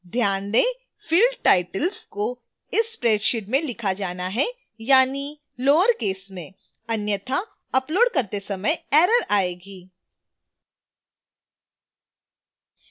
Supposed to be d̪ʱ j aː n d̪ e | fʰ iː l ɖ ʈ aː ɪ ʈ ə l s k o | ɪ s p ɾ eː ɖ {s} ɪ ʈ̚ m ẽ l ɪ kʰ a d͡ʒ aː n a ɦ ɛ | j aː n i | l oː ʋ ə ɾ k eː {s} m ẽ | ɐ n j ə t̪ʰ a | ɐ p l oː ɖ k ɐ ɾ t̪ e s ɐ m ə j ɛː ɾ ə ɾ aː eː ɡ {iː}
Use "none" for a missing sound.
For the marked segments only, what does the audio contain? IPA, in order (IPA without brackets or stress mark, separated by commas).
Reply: ʃ, s, iː